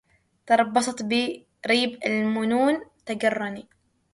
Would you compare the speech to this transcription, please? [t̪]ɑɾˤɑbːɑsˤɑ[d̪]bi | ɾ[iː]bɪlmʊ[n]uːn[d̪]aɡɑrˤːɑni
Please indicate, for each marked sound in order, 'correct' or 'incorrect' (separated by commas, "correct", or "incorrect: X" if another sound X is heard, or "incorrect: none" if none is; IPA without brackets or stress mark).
correct, incorrect: t̪, correct, correct, incorrect: t̪